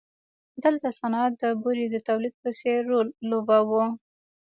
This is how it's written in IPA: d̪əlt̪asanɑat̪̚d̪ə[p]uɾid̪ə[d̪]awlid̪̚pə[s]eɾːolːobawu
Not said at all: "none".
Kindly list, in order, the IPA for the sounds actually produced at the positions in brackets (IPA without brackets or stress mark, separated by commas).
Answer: b, t̪, s